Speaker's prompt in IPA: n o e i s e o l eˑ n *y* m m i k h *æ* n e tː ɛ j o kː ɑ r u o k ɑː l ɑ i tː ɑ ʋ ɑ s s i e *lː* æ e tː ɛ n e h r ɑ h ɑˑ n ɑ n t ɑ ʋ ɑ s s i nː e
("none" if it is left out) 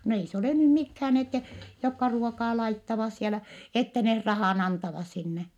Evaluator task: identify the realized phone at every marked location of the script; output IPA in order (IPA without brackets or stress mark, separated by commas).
y, æː, l